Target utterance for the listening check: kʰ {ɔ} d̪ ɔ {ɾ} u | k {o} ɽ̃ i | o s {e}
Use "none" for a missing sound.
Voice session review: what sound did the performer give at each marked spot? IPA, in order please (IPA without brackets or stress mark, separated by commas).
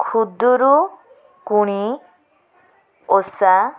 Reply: u, ɾ, u, a